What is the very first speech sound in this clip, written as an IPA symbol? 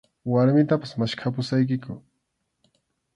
w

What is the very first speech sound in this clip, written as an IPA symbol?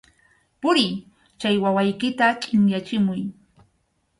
p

